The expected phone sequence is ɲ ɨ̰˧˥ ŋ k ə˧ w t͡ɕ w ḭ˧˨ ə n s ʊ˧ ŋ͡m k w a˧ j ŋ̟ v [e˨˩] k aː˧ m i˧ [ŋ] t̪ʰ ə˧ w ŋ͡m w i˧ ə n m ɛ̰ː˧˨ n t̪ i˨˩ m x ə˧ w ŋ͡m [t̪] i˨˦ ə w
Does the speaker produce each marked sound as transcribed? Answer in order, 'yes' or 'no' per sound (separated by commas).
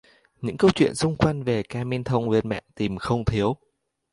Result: yes, no, no